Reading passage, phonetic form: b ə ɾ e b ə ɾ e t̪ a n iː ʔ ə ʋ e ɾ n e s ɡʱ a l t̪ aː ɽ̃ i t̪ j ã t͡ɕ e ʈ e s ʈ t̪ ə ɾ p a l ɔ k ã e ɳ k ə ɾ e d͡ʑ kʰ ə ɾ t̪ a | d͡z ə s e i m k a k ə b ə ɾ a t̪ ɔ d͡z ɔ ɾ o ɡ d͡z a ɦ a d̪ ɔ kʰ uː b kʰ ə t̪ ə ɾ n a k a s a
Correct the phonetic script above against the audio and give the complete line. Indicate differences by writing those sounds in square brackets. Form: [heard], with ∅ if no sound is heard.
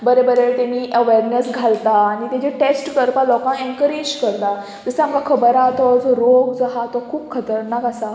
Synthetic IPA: b ə ɾ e b ə ɾ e t̪ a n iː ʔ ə ʋ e ɾ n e s ɡʱ a l t̪ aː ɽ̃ i t̪ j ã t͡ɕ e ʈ e s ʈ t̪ ə ɾ p a l ɔ k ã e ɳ k ə ɾ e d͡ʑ [k] ə ɾ t̪ a | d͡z ə s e [a] m k a [kʰ] ə b ə ɾ a t̪ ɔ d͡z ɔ ɾ o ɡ d͡z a ɦ a [t̪] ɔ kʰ uː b kʰ ə t̪ ə ɾ n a k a s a